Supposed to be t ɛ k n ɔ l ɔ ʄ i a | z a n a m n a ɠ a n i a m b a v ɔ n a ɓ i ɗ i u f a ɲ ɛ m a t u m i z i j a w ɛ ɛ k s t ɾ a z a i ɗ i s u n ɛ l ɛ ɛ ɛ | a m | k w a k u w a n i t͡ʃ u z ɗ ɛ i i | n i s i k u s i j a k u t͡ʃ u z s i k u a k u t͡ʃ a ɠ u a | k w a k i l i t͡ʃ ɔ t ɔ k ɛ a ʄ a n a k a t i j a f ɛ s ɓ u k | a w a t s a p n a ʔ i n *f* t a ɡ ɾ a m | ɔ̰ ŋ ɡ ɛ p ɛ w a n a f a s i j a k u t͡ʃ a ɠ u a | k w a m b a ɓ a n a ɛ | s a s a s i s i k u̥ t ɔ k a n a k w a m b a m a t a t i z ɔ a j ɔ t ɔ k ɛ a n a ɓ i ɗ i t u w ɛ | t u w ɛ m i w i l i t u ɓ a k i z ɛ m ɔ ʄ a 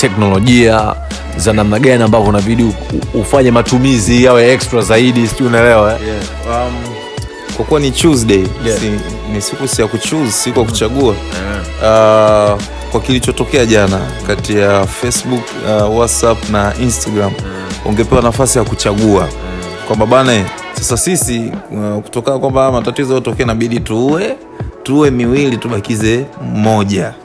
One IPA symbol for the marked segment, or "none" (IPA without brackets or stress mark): s